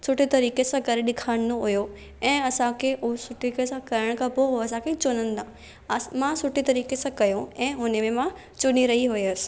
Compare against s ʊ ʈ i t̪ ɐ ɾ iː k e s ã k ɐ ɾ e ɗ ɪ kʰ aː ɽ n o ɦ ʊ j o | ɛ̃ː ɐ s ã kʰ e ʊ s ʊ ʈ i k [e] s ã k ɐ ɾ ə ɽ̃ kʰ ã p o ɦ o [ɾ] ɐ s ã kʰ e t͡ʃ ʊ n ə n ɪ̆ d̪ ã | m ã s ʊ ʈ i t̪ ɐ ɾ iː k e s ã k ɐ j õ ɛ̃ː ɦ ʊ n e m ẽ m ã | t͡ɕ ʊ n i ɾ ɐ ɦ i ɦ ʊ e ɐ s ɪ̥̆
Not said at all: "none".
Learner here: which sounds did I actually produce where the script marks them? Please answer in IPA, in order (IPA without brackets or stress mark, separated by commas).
e, none